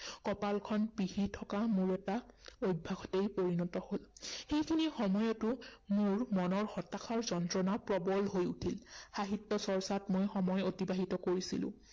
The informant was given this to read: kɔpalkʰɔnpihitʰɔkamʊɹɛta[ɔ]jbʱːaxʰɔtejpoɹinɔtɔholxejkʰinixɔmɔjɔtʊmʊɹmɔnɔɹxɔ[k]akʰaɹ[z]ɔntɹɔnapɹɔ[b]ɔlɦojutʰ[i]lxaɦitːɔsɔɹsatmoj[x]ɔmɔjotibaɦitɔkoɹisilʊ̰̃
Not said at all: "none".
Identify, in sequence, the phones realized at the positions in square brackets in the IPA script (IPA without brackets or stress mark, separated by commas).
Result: o, t, z, b, i, x